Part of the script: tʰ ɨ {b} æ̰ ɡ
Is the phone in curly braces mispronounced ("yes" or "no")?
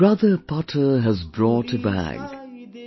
no